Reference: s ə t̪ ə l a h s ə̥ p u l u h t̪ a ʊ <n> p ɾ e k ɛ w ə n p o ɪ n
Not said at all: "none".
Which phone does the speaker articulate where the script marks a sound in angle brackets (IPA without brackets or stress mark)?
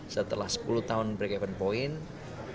n